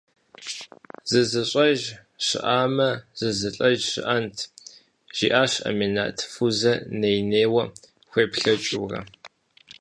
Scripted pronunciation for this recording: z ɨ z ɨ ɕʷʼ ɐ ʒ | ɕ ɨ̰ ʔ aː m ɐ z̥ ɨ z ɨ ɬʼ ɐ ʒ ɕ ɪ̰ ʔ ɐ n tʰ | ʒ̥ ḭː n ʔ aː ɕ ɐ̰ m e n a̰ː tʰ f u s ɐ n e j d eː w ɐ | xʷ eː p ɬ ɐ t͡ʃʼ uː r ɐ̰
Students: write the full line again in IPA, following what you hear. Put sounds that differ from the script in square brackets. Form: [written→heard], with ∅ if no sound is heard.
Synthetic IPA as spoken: z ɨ z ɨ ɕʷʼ ɐ ʒ | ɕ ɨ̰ ʔ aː m ɐ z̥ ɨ z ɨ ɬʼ ɐ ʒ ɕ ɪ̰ ʔ ɐ n tʰ | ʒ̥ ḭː [n→∅] ʔ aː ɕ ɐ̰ m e n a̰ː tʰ f u [s→z] ɐ n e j [d→n] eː w ɐ | xʷ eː p ɬ ɐ t͡ʃʼ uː r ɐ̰